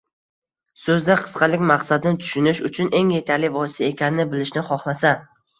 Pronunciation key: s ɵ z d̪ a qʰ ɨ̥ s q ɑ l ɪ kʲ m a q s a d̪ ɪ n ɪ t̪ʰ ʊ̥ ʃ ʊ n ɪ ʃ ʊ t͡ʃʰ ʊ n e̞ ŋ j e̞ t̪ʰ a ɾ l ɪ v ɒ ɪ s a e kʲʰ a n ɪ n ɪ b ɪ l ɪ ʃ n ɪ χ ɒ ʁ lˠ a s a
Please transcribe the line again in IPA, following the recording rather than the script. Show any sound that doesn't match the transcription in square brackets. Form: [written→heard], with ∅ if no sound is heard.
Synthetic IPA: s ɵ z d̪ a qʰ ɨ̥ s q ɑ l ɪ kʲ m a q s a d̪ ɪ n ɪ t̪ʰ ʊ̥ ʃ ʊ n ɪ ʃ ʊ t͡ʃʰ ʊ n e̞ ŋ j e̞ t̪ʰ a ɾ l ɪ v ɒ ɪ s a e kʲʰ a n ɪ n ɪ b ɪ l ɪ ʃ n ɪ χ ɒ [ʁ→χ] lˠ a s a